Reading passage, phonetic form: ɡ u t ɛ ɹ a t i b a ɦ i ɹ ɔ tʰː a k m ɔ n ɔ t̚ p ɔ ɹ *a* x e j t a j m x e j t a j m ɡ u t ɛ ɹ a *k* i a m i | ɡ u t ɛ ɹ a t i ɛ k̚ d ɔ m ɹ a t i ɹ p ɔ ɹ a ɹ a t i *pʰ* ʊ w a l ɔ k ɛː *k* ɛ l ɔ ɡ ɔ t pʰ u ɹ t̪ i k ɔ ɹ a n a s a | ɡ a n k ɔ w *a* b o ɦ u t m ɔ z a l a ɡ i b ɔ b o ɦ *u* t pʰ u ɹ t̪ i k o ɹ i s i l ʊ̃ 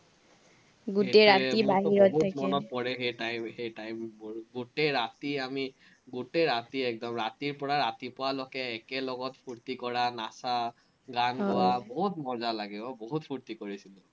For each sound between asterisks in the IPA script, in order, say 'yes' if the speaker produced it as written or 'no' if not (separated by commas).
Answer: no, no, no, yes, yes, yes